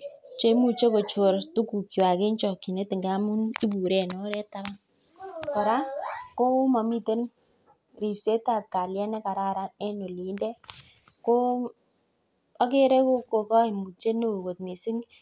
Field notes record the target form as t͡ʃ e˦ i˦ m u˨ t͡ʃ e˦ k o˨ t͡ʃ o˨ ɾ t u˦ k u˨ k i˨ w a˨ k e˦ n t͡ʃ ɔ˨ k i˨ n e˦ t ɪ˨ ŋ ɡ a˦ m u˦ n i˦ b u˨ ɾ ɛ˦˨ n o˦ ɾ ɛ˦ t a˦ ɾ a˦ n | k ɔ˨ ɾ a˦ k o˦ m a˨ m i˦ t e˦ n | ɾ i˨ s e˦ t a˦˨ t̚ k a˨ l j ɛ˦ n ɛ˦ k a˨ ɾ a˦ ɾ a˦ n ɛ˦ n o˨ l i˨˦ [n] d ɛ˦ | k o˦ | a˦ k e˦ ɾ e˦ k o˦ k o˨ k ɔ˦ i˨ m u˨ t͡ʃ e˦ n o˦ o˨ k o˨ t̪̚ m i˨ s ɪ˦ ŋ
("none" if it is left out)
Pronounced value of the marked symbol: n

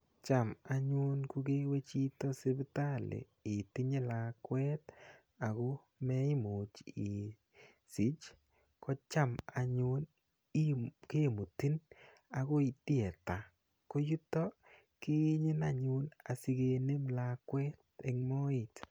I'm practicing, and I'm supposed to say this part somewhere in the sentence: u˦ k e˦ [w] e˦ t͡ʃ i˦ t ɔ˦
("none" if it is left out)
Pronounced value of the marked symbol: w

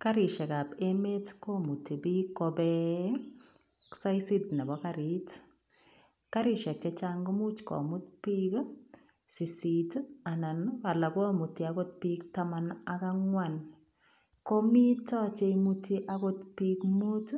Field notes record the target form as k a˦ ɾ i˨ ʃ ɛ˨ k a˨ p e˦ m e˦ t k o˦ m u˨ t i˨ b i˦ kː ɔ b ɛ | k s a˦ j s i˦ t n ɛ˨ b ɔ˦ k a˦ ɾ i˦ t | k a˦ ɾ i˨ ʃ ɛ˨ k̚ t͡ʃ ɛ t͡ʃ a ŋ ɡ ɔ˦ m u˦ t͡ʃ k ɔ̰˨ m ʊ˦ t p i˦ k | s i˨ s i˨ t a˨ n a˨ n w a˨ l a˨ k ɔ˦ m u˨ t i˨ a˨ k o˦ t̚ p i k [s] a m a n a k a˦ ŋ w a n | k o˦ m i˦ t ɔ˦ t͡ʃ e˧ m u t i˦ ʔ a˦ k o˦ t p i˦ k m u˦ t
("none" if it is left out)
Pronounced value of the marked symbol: t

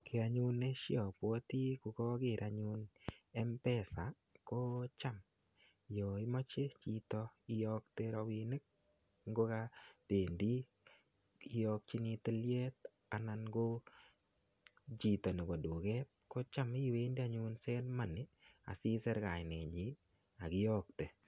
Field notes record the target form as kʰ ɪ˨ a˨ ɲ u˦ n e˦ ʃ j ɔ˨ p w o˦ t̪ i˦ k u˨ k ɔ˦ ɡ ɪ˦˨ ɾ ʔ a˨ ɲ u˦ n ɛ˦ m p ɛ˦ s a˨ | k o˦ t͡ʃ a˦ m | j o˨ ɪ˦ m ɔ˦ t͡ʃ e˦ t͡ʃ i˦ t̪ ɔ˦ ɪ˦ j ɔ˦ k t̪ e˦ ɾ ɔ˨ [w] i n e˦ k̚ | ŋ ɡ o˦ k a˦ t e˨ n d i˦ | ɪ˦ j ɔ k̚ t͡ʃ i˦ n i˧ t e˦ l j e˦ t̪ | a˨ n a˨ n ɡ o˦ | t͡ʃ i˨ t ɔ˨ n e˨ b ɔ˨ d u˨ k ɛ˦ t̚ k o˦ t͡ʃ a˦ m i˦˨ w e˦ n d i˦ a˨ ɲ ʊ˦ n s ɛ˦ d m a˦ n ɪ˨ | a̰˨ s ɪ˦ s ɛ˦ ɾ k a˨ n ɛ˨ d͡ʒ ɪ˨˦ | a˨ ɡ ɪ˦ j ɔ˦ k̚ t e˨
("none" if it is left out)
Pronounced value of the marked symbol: w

